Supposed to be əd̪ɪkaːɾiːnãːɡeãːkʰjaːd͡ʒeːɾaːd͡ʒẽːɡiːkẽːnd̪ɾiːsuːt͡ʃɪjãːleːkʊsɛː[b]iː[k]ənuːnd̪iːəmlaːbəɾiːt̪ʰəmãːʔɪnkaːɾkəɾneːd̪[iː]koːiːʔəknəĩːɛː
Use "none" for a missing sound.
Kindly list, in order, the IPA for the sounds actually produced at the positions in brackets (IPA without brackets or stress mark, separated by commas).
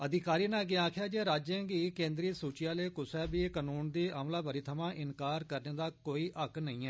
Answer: b, k, aː